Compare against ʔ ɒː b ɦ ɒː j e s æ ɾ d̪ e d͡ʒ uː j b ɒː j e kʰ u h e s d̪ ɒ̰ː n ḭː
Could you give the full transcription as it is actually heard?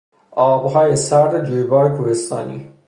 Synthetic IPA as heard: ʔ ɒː b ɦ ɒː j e s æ ɾ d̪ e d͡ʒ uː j b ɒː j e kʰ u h e s t̪ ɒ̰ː n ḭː